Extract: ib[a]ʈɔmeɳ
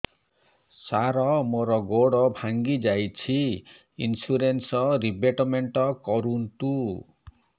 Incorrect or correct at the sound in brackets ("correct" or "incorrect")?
incorrect